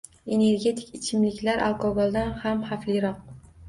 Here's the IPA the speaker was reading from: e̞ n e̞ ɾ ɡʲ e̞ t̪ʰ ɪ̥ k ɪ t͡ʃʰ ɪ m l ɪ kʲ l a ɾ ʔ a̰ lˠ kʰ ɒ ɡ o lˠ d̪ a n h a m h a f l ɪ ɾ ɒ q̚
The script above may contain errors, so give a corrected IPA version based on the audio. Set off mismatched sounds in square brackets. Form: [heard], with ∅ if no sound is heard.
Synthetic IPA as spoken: e̞ n e̞ ɾ ɡʲ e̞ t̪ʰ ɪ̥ k ɪ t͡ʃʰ ɪ m l ɪ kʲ l a ɾ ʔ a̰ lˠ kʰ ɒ ɡ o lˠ d̪ a n h a m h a f l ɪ ɾ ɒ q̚